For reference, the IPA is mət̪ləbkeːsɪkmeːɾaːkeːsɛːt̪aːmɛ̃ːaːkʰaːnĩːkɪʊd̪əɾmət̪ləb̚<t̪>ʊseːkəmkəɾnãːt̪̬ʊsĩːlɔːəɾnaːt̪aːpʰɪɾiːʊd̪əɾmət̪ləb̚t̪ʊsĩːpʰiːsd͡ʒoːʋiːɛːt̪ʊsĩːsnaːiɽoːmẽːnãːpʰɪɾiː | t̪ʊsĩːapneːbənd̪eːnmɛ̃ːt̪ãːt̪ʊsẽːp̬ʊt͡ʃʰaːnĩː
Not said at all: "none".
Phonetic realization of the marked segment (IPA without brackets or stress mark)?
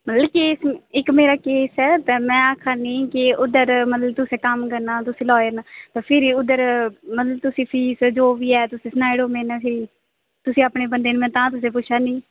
t̪